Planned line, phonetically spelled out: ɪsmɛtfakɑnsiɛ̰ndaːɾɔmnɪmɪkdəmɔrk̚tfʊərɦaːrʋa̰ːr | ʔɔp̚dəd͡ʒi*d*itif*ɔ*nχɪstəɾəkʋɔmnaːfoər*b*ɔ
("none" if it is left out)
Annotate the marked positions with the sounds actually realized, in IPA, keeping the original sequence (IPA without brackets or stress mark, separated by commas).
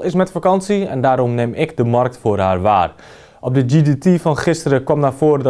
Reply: d, ɔ, d